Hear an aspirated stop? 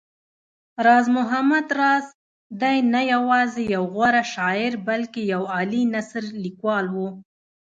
no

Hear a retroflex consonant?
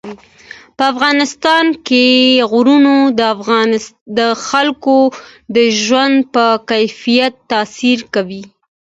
no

